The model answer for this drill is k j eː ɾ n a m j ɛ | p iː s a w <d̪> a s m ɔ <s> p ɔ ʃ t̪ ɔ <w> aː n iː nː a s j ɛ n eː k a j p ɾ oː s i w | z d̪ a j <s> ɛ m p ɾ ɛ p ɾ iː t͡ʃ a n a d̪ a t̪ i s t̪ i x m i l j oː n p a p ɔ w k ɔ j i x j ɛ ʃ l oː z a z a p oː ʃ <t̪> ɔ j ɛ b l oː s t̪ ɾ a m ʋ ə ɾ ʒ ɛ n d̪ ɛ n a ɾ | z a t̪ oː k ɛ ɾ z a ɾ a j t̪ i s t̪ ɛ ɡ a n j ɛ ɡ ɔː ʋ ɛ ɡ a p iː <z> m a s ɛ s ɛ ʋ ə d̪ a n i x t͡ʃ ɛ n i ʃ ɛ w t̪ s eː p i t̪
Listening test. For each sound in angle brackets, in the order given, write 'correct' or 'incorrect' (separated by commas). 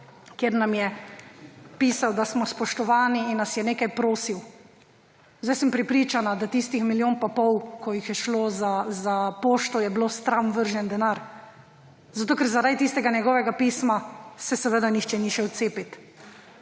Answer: correct, correct, incorrect, correct, correct, incorrect